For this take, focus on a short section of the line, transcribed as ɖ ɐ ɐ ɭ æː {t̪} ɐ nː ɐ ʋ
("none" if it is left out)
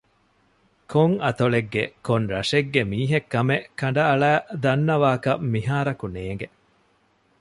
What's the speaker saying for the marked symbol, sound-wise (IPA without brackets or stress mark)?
d̪